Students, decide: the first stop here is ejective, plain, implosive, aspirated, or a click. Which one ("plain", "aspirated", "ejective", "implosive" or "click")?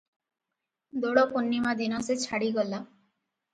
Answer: plain